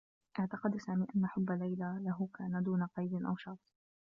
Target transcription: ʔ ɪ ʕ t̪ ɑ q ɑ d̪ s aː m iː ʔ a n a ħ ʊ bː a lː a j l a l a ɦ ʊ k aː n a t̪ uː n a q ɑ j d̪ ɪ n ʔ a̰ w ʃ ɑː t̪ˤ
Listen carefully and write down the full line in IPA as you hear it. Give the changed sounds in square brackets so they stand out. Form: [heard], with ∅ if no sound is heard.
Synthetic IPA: ʔ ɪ ʕ t̪ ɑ q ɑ d̪ s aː m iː ʔ a [nː] a ħ ʊ bː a lː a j l a l a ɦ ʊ k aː n a [d̪] uː n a q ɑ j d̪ ɪ n ʔ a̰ w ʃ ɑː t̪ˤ